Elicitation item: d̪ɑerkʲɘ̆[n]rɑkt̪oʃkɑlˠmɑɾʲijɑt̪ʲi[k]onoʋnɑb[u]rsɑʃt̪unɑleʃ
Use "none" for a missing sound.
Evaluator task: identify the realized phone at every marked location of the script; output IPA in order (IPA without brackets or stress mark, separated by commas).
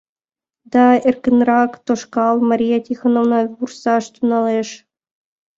n, x, u